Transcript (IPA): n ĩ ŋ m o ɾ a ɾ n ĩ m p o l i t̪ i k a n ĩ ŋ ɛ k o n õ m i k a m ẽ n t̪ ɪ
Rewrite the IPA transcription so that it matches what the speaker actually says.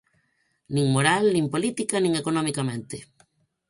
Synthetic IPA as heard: n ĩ ŋ m o ɾ a l n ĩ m p o l i t̪ i k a n ĩ ŋ e k o n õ m i k a m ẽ n t̪ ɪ

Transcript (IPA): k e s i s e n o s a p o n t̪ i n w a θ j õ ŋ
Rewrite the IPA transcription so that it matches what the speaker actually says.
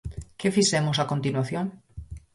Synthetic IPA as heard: k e f i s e m o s a k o n t̪ i n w a θ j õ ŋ

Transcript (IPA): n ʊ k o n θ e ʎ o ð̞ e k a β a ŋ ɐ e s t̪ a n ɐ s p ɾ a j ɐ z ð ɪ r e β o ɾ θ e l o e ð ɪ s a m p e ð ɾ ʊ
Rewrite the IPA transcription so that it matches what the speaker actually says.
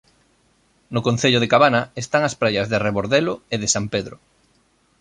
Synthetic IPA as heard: n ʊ k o n θ e ʎ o ð̞ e k a β a n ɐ e s t̪ a ŋ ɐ s p ɾ a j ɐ z ð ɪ r e β o ɾ ð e l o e ð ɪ s a m p e ð ɾ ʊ

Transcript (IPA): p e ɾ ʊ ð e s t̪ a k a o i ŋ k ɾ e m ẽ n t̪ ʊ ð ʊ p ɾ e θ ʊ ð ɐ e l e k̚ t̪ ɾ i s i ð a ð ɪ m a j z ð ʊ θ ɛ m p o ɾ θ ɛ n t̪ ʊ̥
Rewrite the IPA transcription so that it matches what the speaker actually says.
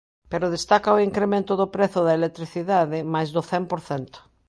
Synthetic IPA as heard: p e ɾ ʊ ð e s t̪ a k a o i ŋ k ɾ e m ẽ n t̪ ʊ ð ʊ p ɾ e θ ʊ ð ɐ e l e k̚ t̪ ɾ i θ i ð a ð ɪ m a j z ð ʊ θ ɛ m p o ɾ θ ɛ n t̪ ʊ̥

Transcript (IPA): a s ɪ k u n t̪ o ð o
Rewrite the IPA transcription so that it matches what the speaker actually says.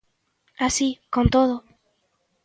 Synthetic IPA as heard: a s i k o n t̪ o ð o

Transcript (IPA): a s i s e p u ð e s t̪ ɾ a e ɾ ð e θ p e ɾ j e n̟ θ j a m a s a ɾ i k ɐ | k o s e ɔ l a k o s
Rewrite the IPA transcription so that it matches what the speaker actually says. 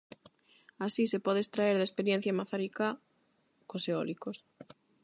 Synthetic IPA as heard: a s i s e p ɔ ð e s t̪ ɾ a e ɾ ð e s p e ɾ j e n̟ θ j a m a θ a ɾ i k a | k o s e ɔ l i k o s

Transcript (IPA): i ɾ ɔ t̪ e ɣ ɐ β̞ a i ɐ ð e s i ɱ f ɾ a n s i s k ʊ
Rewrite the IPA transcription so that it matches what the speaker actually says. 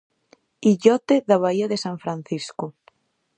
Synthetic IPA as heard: i ʎ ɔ t̪ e ð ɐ β̞ a i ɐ ð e s a ɱ f ɾ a n θ i s k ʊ

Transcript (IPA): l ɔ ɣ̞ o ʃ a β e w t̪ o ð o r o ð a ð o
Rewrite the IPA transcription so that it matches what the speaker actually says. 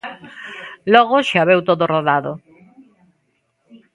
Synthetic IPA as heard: l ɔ ɣ̞ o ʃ a β e w t̪ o ð o r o ð a ð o

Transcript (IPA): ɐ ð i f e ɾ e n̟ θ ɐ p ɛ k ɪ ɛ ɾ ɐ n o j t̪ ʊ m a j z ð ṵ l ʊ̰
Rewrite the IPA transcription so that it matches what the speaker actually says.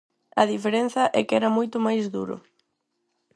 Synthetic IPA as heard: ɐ ð i f e ɾ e n̟ θ ɐ ʔ ɛ k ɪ ɛ ɾ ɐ m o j t̪ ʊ m a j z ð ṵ ɾ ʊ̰

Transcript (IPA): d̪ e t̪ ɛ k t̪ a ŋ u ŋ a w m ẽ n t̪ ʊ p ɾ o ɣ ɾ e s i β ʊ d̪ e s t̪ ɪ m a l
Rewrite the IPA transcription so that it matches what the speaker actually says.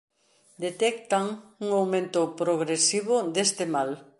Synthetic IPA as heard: d̪ e t̪ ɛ k t̪ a ŋ u ŋ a w m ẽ n t̪ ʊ p ɾ o ɣ ɾ e s i β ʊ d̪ e s t̪ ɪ m a l

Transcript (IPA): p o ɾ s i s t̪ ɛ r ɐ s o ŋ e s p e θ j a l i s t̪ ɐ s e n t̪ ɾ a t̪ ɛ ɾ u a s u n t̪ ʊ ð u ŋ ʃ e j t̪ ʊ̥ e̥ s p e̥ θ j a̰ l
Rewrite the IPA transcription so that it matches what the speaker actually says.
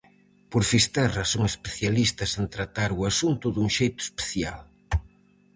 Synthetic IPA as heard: p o ɾ f i s t̪ ɛ r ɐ s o ŋ e s p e θ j a l i s t̪ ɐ s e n t̪ ɾ a t̪ a ɾ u a s u n t̪ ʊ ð u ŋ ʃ e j t̪ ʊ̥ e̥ s p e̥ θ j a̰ l

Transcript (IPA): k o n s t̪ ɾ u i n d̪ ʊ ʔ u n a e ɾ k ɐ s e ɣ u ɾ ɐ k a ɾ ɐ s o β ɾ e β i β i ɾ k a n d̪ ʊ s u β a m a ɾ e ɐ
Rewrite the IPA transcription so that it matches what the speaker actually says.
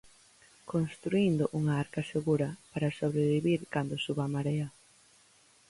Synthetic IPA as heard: k o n s t̪ ɾ u i n d̪ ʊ ʔ u ŋ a a ɾ k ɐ s e ɣ u ɾ ɐ p a ɾ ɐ s o β ɾ e β i β i ɾ k a n d̪ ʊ s u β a m a ɾ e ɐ

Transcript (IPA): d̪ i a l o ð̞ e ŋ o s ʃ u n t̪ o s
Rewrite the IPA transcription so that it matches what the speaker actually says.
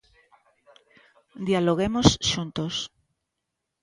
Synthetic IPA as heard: d̪ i a l o ɣ̞ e m o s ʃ u n t̪ o s

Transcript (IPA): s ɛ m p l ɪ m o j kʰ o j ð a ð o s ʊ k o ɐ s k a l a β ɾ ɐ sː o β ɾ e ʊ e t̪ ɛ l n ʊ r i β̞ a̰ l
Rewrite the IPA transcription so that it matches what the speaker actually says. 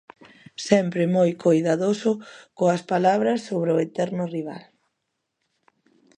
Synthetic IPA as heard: s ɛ m p ɾ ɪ m o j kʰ o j ð a ð o s ʊ k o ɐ s p a l a β ɾ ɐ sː o β ɾ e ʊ e t̪ ɛ ɾ n ʊ r i β̞ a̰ l

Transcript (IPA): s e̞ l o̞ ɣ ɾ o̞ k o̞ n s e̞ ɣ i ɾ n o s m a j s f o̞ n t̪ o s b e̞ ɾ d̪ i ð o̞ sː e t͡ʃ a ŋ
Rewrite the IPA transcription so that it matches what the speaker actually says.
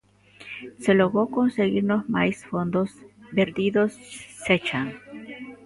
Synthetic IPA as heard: s e̞ l o̞ ɣ ɾ o̞ k o̞ n s e̞ ɣ i ɾ n o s m a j s f o̞ n d̪ o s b e̞ ɾ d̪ i ð o̞ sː e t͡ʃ a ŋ

